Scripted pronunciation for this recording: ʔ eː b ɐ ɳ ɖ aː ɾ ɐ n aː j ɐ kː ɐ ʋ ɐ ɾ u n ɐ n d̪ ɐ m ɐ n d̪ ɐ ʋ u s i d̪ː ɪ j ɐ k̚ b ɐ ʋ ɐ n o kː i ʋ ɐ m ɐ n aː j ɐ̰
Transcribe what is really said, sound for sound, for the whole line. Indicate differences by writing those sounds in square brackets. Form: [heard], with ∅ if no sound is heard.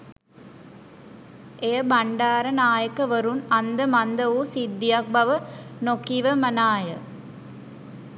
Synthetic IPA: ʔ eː b ɐ ɳ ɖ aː ɾ ɐ n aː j ɐ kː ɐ ʋ ɐ ɾ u n ɐ n d̪ ɐ m ɐ n d̪ ɐ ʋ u s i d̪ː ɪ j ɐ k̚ b ɐ ʋ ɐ n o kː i ʋ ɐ m ɐ n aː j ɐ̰